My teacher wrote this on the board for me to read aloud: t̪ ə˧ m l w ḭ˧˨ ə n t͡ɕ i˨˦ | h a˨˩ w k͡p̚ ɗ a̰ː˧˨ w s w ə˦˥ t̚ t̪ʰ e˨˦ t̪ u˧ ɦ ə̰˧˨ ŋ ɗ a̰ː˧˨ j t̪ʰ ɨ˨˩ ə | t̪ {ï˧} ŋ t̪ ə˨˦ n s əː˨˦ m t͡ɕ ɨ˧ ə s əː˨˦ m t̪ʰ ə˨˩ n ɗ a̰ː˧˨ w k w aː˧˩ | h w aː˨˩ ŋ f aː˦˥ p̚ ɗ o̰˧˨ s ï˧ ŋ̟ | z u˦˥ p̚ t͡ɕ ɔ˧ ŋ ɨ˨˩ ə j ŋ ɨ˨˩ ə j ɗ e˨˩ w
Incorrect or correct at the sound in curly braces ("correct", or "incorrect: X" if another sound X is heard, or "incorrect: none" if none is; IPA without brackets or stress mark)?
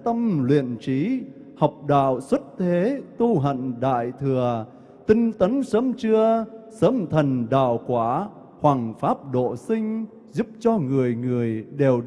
correct